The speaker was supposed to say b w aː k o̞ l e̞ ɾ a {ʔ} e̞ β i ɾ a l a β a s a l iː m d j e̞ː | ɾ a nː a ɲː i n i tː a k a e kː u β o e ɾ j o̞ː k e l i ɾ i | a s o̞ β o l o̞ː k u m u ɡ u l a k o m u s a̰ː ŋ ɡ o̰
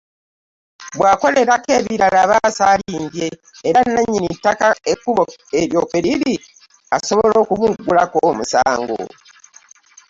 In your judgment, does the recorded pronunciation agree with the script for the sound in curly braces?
no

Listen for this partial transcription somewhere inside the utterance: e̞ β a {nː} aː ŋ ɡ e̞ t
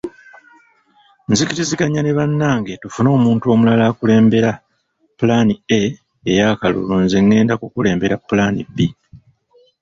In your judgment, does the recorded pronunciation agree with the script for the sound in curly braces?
yes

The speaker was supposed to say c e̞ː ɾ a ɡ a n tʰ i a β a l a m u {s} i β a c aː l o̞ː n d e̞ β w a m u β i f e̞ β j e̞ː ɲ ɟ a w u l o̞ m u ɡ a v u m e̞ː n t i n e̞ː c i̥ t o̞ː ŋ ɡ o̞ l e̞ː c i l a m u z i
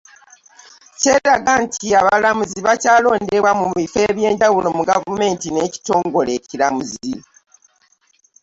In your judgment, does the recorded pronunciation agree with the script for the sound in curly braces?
no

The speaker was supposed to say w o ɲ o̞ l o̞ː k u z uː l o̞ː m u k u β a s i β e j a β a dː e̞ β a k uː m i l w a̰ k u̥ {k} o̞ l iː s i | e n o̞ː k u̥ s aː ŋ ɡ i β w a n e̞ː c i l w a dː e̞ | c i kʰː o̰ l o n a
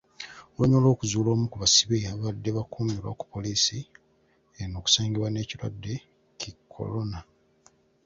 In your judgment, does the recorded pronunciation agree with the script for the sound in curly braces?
no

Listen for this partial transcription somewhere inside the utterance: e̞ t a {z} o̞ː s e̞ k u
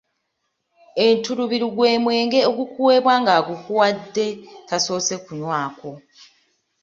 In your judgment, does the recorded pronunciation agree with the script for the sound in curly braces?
no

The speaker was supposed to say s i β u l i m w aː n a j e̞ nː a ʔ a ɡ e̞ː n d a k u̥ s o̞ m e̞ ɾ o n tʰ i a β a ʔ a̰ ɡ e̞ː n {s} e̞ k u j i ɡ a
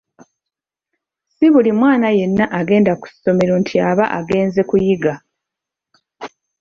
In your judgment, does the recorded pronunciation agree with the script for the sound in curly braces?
no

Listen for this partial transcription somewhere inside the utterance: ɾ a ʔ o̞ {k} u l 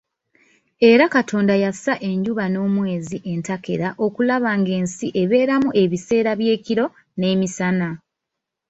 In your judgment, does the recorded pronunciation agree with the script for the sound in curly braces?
yes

